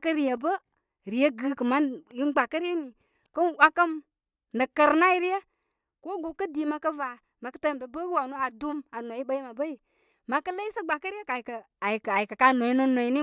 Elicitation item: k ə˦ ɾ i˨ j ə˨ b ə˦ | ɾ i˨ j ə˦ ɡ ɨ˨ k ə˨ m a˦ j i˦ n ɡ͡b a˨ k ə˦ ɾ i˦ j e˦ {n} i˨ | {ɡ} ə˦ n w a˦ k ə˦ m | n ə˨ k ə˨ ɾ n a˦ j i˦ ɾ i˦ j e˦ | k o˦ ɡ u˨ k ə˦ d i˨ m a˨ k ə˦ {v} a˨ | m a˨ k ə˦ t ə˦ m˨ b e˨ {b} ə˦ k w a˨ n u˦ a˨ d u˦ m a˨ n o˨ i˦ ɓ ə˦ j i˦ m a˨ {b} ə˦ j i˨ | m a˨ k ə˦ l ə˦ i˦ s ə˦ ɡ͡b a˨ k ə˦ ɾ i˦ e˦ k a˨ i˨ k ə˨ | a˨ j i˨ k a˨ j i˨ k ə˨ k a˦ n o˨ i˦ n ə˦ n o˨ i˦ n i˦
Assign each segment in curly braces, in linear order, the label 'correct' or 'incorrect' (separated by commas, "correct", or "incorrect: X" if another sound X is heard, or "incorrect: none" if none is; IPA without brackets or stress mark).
correct, incorrect: k, correct, correct, correct